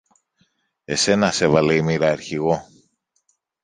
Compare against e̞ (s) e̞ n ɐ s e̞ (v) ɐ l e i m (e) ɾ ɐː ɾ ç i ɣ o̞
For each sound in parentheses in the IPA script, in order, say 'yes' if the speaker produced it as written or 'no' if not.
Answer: yes, yes, no

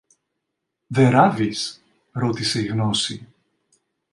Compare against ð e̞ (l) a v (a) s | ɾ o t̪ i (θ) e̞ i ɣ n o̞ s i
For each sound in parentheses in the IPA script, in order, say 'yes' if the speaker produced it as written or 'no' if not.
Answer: no, no, no

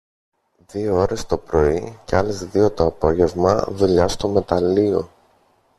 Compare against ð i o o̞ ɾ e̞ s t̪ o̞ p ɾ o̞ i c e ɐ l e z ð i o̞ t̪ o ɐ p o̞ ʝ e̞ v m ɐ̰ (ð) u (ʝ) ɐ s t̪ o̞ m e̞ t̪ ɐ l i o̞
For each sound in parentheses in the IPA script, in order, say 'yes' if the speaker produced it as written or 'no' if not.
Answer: yes, no

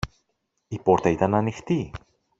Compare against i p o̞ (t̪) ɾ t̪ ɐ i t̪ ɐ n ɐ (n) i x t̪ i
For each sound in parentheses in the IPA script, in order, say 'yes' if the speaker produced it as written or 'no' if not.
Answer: no, yes

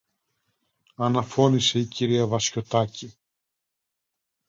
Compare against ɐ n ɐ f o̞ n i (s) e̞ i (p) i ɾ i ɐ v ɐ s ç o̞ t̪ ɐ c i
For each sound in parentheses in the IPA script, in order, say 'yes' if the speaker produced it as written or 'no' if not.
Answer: yes, no

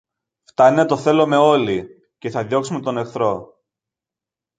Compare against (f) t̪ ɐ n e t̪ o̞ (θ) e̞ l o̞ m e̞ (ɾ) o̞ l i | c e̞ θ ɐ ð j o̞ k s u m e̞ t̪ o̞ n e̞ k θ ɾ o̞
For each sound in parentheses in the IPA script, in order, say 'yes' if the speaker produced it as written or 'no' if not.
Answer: yes, yes, no

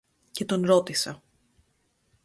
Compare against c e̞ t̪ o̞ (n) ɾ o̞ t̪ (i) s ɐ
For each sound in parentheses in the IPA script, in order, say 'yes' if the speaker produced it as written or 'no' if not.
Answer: yes, yes

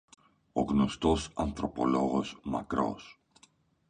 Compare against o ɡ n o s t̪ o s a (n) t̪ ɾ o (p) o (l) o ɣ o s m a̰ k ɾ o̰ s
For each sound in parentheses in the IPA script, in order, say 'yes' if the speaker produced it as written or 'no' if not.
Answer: yes, yes, yes

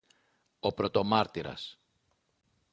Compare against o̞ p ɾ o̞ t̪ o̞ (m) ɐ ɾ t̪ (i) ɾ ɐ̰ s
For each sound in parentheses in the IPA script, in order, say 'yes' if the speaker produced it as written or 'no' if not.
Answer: yes, yes

